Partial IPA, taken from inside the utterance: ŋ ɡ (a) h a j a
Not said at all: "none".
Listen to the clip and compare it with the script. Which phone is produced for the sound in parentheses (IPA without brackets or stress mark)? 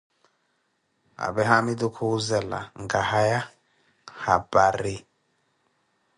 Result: a